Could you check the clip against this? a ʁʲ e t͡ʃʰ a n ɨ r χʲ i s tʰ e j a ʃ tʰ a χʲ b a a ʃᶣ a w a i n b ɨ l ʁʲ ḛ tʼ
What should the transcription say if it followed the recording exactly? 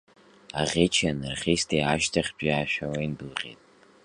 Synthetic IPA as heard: a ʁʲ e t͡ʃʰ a n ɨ r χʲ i s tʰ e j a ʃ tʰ a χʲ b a a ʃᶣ a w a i n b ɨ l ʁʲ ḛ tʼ